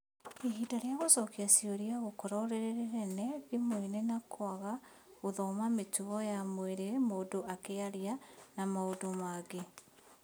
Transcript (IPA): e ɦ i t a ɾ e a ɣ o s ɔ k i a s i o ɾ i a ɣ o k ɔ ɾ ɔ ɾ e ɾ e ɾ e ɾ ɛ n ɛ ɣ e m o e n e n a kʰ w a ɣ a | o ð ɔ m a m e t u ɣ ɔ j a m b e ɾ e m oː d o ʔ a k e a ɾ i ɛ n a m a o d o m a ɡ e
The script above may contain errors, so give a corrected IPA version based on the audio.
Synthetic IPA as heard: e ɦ i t a ɾ e a ɣ o s ɔ k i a s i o ɾ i a ɣ o k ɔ ɾ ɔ ɾ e ɾ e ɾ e ɾ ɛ n ɛ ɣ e m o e n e n a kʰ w a ɣ a | o ð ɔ m a m e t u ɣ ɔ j a m w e ɾ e m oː d o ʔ a k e a ɾ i a n a m a o d o m a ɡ e